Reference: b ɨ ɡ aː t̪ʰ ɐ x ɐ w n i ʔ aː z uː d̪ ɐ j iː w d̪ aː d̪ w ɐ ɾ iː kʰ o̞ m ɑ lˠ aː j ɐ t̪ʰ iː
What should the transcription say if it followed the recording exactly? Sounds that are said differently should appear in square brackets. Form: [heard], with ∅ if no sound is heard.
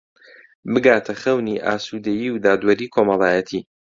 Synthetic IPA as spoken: b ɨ ɡ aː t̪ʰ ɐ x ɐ w n i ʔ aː [s] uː d̪ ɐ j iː w d̪ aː d̪ w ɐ ɾ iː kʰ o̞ m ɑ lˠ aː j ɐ t̪ʰ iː